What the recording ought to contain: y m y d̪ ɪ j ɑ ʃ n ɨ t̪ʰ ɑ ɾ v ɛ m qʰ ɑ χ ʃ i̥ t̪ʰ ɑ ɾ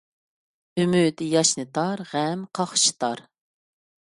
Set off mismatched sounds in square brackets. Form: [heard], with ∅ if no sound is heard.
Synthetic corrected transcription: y m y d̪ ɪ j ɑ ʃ n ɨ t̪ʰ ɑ ɾ [ʁ] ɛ m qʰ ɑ χ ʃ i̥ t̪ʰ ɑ ɾ